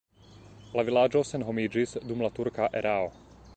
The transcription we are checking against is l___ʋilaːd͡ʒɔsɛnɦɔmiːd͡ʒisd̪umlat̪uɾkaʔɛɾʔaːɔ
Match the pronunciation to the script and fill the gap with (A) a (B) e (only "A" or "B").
A